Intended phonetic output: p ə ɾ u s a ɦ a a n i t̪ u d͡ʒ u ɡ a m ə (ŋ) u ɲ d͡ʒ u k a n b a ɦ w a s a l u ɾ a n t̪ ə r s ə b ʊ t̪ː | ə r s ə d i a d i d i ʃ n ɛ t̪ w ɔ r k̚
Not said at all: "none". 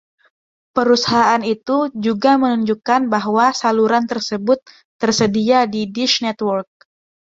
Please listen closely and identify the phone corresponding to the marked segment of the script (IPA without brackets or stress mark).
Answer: n